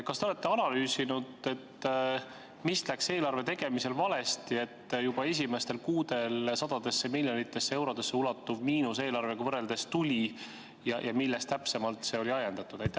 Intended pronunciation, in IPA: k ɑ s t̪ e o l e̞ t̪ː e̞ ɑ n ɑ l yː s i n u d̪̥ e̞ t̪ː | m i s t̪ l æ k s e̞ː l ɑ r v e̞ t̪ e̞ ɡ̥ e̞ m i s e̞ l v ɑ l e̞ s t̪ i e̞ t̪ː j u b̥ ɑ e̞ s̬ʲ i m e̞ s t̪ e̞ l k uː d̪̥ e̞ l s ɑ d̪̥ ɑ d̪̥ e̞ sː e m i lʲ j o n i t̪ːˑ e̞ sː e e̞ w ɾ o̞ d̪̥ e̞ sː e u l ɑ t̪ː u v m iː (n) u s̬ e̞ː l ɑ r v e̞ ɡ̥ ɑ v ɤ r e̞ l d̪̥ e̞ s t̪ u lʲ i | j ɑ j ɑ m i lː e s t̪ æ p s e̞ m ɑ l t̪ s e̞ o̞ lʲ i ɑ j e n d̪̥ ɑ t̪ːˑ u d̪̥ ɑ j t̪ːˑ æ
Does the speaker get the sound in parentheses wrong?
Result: no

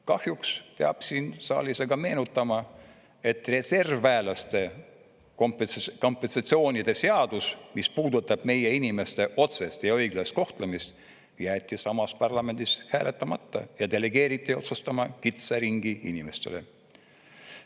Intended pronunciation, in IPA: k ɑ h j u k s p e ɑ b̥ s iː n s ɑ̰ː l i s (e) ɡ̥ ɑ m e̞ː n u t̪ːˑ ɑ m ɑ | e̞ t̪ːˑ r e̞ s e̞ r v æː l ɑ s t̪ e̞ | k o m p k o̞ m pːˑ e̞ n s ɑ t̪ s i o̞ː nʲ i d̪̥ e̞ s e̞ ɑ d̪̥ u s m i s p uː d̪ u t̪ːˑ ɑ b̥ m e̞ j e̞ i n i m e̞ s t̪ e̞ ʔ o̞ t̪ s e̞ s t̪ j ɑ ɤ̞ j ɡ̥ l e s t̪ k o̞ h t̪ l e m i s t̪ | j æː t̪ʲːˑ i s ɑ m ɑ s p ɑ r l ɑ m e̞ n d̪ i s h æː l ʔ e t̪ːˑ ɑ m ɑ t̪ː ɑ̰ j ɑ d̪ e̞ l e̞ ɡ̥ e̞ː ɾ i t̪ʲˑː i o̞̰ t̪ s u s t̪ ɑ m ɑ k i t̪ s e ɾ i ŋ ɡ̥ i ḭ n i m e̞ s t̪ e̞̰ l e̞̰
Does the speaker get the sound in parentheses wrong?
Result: no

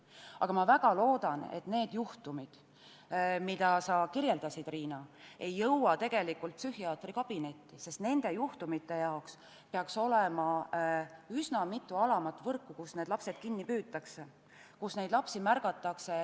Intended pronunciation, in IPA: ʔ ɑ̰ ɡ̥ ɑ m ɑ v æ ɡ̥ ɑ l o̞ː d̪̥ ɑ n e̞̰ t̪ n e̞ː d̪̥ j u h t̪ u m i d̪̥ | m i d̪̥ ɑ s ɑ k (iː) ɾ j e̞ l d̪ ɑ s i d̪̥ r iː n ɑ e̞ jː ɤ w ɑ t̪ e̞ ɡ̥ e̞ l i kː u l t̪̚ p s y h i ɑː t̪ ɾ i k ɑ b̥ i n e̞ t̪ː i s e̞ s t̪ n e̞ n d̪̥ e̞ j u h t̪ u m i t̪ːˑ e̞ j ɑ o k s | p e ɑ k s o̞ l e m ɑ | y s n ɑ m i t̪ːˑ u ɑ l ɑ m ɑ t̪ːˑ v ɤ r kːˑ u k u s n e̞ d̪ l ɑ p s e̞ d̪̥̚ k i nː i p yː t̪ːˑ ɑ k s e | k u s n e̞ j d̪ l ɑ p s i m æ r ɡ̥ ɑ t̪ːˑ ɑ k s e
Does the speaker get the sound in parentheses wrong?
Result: yes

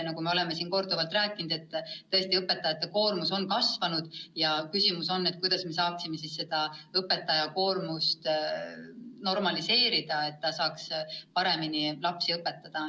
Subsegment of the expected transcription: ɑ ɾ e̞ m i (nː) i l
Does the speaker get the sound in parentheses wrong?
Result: yes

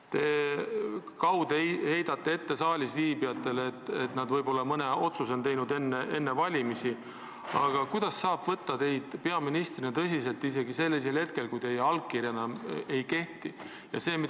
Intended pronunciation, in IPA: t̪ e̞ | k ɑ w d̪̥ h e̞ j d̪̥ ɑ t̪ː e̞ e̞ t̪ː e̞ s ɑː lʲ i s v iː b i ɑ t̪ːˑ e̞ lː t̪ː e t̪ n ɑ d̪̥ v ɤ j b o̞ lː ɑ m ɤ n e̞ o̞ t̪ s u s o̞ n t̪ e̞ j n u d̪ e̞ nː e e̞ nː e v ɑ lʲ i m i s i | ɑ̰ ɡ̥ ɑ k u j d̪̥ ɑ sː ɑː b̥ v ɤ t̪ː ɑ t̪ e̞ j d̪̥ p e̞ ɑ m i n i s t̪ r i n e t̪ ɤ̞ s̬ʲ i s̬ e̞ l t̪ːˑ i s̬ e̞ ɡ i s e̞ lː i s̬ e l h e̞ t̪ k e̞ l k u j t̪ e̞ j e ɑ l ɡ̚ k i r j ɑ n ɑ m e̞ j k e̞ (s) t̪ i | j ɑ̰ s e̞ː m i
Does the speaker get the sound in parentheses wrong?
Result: yes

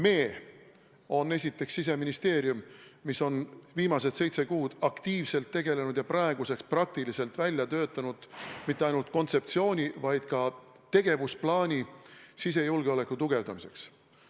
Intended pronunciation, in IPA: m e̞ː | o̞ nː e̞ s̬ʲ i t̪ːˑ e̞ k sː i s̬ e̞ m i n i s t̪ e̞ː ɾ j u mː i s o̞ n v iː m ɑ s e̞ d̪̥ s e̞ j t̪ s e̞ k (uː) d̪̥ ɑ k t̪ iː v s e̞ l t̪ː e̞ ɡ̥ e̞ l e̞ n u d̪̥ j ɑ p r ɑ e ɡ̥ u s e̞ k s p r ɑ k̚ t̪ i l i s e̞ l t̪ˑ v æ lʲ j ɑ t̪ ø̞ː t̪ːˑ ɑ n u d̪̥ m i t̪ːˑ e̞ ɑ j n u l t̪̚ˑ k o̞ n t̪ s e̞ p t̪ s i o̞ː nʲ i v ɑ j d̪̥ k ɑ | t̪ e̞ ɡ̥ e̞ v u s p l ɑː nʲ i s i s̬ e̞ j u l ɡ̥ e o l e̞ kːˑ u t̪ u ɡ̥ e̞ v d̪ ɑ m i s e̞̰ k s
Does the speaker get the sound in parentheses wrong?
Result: no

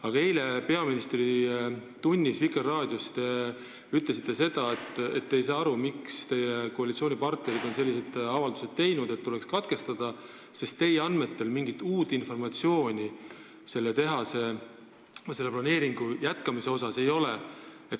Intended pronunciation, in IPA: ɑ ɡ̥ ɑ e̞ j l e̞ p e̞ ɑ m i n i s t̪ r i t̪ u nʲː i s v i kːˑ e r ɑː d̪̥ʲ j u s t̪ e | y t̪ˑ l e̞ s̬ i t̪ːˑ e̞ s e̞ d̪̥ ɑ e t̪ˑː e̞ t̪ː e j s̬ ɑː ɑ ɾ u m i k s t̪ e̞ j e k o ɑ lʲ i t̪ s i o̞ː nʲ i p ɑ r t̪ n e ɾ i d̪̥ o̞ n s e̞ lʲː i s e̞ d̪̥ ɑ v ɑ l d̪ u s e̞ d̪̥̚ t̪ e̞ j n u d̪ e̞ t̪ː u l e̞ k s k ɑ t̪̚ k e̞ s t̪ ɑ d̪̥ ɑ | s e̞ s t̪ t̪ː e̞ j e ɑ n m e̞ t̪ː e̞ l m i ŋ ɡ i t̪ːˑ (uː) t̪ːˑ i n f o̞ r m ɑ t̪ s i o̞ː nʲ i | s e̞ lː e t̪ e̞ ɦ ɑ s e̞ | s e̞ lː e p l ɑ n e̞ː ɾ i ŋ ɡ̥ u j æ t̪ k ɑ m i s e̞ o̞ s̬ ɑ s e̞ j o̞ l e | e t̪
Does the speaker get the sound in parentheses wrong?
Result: no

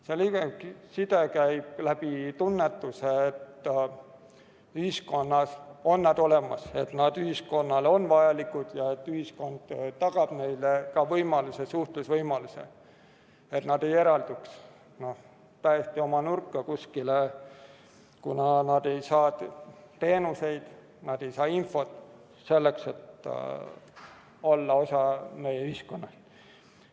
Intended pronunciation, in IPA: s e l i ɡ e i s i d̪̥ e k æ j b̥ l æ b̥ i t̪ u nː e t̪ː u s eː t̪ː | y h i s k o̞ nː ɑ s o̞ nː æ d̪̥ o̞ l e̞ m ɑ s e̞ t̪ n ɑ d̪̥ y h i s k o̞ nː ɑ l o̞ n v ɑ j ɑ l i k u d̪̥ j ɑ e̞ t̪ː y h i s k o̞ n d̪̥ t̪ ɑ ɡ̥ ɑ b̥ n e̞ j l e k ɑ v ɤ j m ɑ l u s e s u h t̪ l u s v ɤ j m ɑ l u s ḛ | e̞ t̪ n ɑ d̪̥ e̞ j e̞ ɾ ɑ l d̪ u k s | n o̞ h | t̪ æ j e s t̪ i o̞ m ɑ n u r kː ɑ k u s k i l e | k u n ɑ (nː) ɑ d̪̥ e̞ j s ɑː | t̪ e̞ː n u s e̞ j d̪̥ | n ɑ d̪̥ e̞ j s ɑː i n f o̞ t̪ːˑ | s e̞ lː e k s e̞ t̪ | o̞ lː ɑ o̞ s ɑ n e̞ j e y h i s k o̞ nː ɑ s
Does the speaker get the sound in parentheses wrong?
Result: yes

